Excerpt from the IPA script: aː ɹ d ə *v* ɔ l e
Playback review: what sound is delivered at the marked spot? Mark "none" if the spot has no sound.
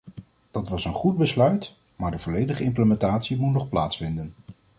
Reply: v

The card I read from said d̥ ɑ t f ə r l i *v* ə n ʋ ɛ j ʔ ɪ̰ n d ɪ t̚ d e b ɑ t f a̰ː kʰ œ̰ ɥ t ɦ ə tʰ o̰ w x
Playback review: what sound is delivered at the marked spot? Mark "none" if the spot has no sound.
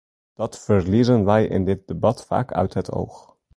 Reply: z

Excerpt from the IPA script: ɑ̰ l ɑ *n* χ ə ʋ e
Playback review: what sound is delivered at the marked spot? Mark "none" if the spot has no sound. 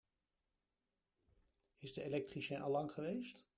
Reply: ŋ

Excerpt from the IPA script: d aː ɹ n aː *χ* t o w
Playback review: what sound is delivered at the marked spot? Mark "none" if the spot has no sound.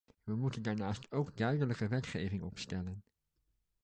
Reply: s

